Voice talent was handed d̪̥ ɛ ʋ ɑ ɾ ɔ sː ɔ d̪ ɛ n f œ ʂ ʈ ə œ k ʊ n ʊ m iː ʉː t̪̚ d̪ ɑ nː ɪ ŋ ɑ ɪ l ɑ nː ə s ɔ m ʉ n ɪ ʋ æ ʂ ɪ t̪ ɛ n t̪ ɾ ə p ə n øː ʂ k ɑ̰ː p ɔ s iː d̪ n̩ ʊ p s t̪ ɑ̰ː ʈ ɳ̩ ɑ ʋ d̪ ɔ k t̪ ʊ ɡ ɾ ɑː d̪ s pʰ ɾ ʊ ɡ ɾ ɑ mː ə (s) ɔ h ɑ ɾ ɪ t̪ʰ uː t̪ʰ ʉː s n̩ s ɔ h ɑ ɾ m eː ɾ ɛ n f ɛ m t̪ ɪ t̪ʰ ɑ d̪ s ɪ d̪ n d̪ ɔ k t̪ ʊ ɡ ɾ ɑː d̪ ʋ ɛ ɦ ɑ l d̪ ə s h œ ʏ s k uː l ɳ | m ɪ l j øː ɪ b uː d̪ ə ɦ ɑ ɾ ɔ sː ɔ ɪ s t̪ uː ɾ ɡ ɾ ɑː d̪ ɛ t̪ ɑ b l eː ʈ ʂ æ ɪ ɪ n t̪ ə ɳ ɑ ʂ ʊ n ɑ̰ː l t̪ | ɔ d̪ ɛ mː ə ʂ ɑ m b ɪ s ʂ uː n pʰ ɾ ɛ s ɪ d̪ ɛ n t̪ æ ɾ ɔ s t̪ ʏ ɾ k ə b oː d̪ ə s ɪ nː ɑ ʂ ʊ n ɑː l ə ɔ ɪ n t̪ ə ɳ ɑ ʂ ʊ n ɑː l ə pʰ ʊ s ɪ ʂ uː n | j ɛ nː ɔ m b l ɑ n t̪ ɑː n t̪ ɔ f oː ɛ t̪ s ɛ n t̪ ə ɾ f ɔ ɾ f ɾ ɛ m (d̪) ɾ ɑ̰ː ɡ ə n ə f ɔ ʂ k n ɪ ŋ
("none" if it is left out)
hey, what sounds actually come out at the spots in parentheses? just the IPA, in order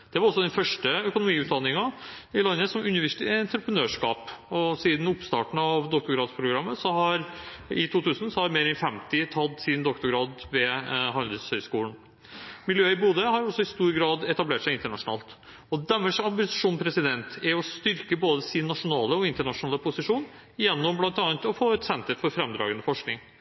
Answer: s, d̪

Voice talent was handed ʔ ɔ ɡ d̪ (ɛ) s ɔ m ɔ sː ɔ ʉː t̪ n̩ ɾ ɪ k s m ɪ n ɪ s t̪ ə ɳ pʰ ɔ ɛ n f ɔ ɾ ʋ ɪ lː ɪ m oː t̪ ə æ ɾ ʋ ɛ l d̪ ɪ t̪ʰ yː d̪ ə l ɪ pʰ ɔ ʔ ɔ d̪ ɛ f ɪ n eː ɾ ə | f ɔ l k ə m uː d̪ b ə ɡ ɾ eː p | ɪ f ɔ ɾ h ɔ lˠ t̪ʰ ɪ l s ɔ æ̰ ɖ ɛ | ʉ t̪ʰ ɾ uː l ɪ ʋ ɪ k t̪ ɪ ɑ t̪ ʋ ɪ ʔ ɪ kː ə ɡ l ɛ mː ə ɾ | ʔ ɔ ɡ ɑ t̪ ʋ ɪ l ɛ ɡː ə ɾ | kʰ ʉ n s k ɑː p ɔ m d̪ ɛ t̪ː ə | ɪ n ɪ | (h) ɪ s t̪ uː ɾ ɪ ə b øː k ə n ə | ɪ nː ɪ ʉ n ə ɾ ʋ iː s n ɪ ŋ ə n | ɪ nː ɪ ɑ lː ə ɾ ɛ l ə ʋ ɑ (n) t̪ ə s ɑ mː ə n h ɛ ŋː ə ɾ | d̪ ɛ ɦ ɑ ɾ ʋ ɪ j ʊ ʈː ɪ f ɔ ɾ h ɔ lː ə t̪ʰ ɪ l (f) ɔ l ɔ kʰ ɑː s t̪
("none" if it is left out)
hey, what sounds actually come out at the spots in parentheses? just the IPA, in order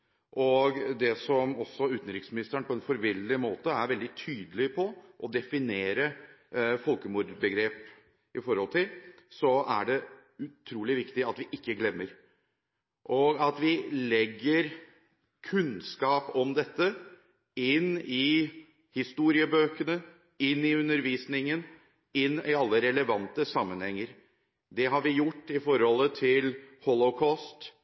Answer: ɛ, h, n, h

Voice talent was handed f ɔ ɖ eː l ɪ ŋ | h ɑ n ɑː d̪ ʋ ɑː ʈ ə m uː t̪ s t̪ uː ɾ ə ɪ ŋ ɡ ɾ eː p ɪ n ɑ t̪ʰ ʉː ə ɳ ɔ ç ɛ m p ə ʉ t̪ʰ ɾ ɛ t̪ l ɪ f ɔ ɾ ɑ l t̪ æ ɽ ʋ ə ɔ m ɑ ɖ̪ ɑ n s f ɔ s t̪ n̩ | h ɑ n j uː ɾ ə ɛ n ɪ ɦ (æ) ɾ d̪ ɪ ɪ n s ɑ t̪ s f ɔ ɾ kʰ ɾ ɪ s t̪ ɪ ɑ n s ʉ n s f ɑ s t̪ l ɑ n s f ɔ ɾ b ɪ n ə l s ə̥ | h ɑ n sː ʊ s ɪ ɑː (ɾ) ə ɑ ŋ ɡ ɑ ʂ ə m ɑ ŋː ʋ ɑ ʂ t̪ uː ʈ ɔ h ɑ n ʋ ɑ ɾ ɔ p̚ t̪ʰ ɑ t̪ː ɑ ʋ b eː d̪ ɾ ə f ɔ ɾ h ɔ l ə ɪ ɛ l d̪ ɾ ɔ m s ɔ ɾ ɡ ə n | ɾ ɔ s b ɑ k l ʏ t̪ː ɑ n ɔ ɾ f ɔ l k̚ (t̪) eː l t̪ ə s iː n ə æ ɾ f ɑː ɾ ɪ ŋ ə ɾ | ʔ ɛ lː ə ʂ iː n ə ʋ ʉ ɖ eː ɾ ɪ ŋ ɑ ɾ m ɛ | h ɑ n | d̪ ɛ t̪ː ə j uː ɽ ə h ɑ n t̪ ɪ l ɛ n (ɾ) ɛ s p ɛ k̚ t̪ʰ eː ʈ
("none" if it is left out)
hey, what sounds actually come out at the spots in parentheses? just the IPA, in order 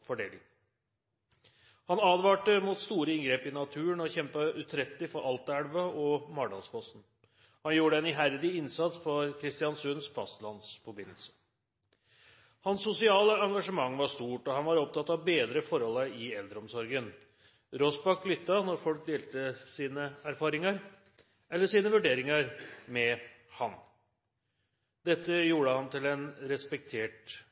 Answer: æ, l, d̪, ɾ

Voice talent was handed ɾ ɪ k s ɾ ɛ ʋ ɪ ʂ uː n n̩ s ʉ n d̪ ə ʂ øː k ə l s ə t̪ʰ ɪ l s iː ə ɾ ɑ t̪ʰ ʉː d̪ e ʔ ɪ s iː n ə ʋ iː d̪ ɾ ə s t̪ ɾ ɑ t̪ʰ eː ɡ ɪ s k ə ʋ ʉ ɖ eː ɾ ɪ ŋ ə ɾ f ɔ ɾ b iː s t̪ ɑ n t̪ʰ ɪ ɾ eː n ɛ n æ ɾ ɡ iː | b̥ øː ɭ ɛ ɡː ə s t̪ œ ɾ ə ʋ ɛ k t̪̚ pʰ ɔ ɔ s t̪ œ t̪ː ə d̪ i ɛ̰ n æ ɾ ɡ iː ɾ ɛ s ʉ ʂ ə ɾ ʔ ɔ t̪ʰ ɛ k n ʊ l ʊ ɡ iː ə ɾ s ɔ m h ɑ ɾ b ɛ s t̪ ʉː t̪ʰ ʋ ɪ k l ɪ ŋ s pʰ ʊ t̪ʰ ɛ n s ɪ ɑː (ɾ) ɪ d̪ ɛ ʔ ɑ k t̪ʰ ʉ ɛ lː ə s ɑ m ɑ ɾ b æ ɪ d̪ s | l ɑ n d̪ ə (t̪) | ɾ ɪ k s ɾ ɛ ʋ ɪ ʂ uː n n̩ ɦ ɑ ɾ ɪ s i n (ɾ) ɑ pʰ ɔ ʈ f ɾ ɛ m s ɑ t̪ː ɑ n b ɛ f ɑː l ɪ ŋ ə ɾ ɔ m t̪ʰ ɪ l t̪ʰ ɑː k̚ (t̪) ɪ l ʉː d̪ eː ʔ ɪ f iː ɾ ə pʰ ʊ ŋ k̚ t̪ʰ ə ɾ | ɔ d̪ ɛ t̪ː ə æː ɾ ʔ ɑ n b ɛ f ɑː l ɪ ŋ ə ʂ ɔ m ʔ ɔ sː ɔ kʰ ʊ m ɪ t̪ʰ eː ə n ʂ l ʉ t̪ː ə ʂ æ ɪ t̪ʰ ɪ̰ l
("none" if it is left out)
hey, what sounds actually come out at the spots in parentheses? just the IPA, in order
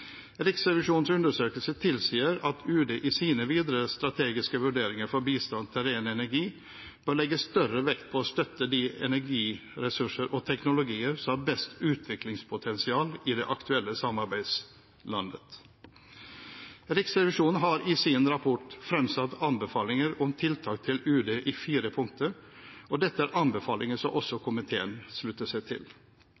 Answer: l, t̪, ɾ, t̪ʰ

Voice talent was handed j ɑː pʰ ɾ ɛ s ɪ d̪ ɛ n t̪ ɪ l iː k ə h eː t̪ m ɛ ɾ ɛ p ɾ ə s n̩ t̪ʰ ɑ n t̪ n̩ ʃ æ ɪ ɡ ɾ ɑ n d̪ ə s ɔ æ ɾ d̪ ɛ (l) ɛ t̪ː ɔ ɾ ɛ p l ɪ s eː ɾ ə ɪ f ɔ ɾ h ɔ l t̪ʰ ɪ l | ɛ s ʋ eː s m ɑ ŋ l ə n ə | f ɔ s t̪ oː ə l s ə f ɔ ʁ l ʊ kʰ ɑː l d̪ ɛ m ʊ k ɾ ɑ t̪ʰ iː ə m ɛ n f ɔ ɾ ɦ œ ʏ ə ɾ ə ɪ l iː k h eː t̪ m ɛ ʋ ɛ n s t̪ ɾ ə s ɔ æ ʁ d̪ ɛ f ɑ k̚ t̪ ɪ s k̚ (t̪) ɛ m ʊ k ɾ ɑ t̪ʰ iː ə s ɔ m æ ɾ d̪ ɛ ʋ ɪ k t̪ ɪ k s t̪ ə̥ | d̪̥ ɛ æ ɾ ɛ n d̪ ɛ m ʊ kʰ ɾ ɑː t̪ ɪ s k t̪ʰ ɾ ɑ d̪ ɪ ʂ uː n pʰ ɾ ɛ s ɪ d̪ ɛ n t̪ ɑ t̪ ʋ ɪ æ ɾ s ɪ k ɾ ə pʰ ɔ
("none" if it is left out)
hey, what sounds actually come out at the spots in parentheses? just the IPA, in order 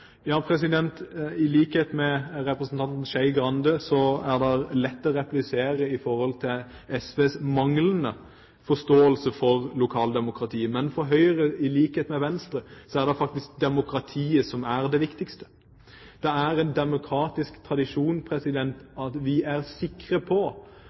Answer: l, d̪

